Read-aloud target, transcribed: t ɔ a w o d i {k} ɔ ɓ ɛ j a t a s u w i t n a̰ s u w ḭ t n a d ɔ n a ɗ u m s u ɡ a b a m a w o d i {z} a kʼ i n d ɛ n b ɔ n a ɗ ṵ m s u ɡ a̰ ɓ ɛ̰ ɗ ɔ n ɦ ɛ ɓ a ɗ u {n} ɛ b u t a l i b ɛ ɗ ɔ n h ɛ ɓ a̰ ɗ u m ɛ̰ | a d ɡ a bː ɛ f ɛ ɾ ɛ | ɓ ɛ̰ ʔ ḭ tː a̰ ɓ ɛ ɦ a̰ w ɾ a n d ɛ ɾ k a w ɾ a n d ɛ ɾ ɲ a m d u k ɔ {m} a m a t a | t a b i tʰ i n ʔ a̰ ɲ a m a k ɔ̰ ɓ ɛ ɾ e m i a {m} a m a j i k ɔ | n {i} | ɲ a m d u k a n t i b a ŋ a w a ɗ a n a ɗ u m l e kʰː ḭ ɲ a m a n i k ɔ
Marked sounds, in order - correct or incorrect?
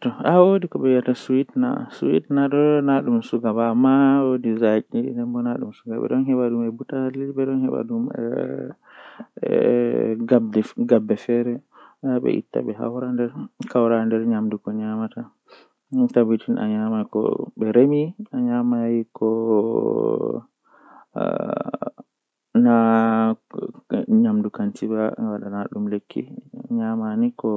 correct, correct, incorrect, incorrect, incorrect, incorrect

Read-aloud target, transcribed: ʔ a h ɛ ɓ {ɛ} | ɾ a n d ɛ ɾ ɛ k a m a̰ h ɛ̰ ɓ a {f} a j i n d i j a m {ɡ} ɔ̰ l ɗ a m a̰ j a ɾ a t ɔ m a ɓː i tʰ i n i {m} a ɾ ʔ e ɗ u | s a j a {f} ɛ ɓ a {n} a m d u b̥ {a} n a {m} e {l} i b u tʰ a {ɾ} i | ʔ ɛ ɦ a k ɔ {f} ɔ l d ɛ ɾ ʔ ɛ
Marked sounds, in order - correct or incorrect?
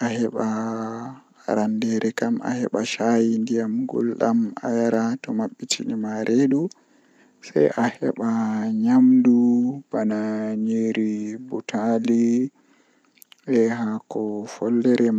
incorrect, incorrect, correct, correct, incorrect, incorrect, correct, incorrect, incorrect, incorrect, correct

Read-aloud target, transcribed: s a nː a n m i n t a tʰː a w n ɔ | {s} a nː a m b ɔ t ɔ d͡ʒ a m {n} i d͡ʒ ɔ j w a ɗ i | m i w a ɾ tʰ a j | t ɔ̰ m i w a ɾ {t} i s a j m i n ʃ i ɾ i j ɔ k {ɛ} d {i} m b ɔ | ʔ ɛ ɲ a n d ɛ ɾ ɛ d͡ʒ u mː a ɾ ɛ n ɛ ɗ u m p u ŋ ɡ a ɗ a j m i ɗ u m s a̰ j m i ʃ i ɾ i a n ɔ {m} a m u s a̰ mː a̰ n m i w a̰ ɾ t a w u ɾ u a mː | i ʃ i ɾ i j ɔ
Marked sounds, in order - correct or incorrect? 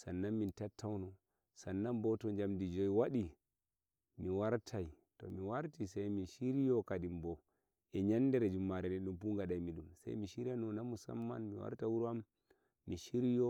correct, incorrect, correct, incorrect, correct, incorrect

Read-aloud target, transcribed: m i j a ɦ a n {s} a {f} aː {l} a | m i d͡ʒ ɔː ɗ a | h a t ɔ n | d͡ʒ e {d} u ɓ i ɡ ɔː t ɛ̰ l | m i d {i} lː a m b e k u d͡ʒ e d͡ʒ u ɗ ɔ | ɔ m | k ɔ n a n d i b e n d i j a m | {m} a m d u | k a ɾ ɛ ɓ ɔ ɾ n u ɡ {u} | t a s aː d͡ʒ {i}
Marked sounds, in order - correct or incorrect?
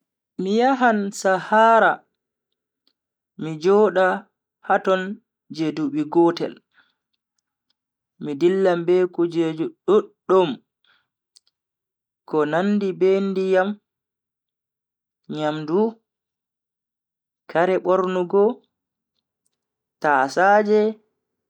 correct, incorrect, incorrect, correct, correct, incorrect, incorrect, incorrect

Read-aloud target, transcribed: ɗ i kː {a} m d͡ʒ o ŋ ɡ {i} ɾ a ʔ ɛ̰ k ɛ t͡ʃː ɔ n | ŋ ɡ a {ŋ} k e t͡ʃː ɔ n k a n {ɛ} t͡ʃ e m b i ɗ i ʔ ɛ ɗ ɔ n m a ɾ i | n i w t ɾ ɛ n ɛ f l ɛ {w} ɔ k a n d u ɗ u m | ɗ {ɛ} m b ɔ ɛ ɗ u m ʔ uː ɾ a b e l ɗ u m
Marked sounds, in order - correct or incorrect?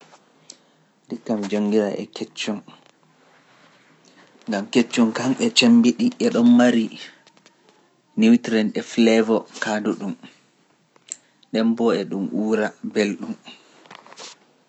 correct, correct, incorrect, correct, incorrect, correct

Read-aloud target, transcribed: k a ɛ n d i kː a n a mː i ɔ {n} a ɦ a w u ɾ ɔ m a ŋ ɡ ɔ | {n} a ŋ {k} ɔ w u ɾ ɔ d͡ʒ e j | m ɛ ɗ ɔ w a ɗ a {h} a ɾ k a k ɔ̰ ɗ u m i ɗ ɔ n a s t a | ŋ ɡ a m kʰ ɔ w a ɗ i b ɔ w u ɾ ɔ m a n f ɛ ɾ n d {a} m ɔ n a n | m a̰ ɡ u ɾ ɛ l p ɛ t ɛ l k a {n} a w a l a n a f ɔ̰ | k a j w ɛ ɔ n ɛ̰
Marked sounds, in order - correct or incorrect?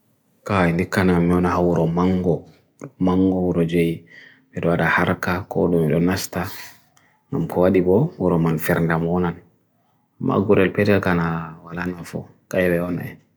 correct, incorrect, incorrect, correct, correct, correct

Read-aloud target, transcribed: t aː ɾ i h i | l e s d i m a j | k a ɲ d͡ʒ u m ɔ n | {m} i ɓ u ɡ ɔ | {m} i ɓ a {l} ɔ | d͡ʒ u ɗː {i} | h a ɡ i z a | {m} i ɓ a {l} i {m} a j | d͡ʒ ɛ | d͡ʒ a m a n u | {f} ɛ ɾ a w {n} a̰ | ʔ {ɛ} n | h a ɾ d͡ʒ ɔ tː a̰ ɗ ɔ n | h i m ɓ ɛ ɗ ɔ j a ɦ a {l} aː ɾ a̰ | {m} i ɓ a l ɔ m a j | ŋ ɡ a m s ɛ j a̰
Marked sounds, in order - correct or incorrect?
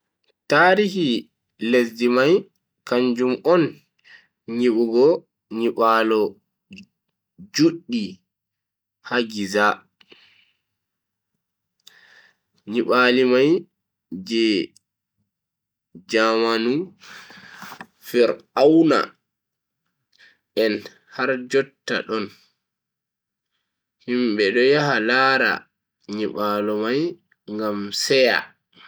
incorrect, incorrect, correct, correct, incorrect, correct, correct, correct, correct, correct, correct, incorrect

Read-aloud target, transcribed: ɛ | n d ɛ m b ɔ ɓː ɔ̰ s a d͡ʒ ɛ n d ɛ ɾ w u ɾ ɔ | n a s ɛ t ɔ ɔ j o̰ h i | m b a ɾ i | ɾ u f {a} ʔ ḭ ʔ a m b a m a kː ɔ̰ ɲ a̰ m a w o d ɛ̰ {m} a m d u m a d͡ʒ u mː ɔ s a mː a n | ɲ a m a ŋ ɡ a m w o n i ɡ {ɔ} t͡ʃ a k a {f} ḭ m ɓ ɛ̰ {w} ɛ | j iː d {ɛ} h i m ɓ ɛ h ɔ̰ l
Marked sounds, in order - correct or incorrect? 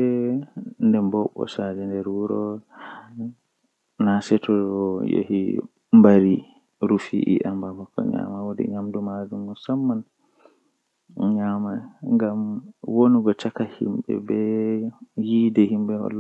incorrect, incorrect, correct, incorrect, incorrect, correct

